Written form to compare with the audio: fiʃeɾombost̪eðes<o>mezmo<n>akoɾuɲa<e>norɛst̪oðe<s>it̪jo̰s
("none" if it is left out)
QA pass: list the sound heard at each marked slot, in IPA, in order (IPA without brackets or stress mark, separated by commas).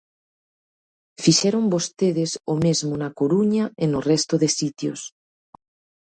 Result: o, n, e, s